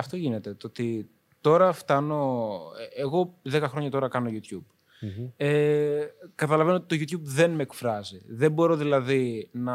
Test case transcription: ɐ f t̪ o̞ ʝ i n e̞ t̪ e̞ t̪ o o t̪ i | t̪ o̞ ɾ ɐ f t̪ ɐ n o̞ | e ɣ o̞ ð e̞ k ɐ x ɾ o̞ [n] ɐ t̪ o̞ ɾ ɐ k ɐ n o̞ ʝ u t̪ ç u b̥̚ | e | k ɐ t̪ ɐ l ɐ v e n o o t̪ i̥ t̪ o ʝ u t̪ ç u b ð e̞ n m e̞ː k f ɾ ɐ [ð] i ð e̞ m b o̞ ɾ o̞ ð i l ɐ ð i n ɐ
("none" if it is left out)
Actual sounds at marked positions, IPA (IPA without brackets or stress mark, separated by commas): ɲ, z